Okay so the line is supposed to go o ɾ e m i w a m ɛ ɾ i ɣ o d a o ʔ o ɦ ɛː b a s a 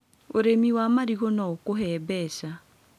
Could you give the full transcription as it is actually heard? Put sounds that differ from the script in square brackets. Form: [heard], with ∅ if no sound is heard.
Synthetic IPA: o ɾ e m i w a m [a] ɾ i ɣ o [n] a o [k] o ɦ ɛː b [ɛ] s a

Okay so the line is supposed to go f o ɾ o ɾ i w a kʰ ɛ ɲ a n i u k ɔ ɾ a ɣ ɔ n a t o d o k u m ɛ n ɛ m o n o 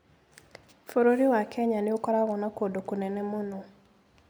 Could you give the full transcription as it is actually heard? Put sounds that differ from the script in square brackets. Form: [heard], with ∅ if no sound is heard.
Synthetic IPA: f o ɾ o ɾ i w a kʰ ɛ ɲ a n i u k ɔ ɾ a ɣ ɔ n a [k] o d o k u [n] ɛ n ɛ m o n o

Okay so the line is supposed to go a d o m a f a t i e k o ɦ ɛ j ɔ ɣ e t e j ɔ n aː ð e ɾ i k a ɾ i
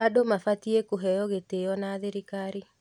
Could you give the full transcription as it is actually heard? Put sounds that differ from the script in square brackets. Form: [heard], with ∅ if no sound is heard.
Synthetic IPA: a d o m a f a t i e k o ɦ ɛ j ɔ ɣ e t e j ɔ n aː ð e ɾ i k a ɾ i

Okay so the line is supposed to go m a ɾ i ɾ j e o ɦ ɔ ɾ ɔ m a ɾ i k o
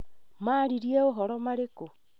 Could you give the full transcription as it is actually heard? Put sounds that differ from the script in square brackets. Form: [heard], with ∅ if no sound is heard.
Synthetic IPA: m a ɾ i ɾ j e o ɦ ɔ ɾ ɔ m a ɾ [e] k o

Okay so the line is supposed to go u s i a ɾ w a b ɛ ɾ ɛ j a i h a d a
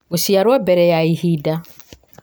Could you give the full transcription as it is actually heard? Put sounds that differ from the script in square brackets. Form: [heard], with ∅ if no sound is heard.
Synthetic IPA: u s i a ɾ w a b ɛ ɾ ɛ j a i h [i] d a

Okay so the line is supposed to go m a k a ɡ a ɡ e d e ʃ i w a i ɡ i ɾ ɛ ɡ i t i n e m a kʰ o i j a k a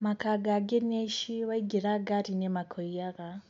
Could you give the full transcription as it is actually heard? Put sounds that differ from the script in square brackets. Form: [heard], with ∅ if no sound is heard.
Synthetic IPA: m a k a ɡ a ɡ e [n] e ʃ i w a i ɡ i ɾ [a] ɡ [a] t i n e m a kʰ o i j a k a

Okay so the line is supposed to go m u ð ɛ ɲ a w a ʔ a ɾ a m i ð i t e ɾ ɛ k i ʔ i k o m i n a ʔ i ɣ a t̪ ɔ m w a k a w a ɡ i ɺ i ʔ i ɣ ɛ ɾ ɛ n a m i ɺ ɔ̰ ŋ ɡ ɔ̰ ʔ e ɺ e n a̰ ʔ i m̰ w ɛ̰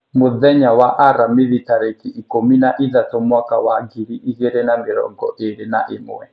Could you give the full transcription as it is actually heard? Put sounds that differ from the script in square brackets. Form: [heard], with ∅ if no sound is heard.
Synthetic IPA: m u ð ɛ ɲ a w a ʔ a ɾ a m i ð i t [a] ɾ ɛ k i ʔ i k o m i n a ʔ i [ð] a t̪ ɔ m w a k a w a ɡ i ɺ i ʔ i ɣ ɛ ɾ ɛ n a m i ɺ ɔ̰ ŋ ɡ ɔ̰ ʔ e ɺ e n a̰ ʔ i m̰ w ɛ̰

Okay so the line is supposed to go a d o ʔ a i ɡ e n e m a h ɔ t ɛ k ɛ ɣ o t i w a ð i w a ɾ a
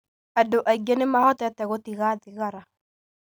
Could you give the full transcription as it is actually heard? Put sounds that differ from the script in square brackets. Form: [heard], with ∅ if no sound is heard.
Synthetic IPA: a d o ʔ a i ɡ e n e m a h ɔ t ɛ [t] ɛ ɣ o t i [ɣ] a ð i [ɣ] a ɾ a

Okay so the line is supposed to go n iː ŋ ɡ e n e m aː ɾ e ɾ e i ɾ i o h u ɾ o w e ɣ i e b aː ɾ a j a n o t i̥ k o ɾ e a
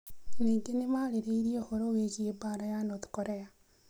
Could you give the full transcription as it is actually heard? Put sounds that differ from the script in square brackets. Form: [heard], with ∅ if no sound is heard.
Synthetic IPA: n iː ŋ ɡ e n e m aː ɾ e ɾ e i ɾ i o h [o] ɾ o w e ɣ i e b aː ɾ a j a n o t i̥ k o ɾ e a

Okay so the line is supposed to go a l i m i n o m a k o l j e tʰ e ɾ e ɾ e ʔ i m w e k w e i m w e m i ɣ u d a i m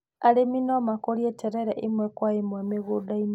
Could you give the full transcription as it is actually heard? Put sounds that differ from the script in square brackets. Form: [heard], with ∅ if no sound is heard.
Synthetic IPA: a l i m i n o m a k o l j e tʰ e ɾ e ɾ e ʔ i m w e k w [a] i m w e m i ɣ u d a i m

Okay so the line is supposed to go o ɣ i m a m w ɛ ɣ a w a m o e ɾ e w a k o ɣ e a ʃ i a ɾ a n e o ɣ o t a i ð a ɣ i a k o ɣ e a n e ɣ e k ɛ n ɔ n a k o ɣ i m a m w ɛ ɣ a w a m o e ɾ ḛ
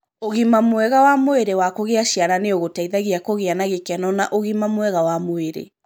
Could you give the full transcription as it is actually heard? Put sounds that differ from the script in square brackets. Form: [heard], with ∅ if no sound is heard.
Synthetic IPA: o ɣ i m a m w ɛ ɣ a w a m o e ɾ e w a k o ɣ e a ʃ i a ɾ a n e o ɣ o t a i ð a ɣ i a k o ɣ e a n [a] ɣ e k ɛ n ɔ n a [ʔ] o ɣ i m a m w ɛ ɣ a w a m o e ɾ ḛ

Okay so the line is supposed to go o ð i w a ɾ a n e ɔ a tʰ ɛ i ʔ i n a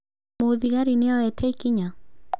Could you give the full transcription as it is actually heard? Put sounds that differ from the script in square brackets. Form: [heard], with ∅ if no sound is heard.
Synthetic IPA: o ð i [ɣ] a ɾ [i] n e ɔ [ɛ] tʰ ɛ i [k] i [ɲ] a

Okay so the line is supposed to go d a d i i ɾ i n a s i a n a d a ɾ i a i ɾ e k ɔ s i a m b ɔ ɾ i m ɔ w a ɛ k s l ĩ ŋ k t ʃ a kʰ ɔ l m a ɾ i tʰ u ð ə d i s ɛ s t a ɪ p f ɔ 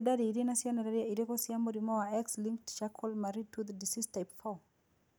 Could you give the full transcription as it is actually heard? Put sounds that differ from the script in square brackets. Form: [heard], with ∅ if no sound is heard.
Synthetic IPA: d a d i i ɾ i n a s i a n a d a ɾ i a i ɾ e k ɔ s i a m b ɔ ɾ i m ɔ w a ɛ k s l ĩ ŋ k t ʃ a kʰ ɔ l m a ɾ i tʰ u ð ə d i s [i] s t a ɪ p f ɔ

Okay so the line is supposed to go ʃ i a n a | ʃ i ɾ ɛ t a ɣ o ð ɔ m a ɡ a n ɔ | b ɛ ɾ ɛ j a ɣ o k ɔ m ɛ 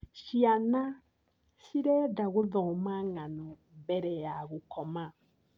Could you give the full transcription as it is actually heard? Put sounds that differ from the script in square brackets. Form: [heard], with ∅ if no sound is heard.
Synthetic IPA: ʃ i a n a | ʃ i ɾ ɛ [d] a ɣ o ð ɔ m a [ŋ] a n ɔ | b ɛ ɾ ɛ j a ɣ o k ɔ m [a]

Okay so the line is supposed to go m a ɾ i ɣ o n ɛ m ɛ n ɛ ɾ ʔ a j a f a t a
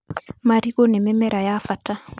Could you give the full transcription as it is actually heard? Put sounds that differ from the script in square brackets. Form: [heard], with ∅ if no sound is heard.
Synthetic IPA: m a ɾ i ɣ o n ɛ m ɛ [m] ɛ ɾ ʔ a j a f a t a

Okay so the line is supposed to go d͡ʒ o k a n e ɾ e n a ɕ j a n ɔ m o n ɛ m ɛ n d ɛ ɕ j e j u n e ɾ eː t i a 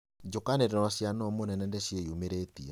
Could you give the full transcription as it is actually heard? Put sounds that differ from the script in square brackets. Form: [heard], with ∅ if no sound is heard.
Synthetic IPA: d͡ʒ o k a n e ɾ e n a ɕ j a n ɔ m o n ɛ [n] ɛ n d ɛ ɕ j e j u [m] e ɾ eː t i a

